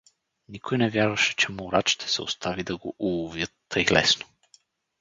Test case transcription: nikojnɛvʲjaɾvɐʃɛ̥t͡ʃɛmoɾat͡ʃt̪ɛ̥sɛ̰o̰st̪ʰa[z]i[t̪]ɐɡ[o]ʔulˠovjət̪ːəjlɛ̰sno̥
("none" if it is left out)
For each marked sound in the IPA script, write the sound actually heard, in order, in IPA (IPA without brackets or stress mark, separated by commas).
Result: v, d̪, o